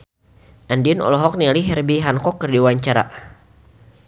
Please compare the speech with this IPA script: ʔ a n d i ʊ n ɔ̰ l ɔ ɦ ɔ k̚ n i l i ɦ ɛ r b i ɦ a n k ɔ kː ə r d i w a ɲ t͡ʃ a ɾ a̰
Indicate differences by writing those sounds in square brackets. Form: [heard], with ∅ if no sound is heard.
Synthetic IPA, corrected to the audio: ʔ a n d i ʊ n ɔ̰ l ɔ ɦ ɔ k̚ n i l i ɦ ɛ r b i ɦ a n k ɔ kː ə r d i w a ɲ t͡ʃ a ɾ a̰